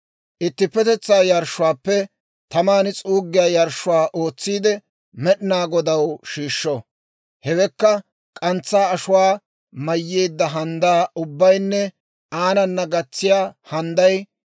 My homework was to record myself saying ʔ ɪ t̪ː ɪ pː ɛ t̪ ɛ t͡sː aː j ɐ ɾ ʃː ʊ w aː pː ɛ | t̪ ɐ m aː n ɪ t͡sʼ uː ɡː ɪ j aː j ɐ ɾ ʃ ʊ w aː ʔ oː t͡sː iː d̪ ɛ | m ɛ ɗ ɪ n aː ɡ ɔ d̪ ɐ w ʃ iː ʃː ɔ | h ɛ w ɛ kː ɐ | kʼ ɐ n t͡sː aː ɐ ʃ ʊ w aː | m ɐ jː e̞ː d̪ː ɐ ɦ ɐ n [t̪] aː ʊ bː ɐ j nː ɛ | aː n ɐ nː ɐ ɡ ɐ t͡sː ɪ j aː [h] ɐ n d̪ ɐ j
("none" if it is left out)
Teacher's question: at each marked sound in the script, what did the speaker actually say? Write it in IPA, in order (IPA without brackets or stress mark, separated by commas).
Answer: d̪, h